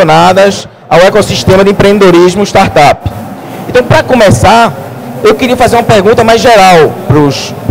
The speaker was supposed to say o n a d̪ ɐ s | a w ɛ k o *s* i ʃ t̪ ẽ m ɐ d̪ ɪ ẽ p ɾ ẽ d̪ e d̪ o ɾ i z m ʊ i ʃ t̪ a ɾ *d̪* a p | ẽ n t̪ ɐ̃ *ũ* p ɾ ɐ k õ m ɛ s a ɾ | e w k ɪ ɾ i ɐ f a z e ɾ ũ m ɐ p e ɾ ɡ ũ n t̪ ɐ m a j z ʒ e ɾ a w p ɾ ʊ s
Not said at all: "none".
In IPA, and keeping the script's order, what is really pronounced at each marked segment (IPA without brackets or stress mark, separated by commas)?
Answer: s, t̪, w̃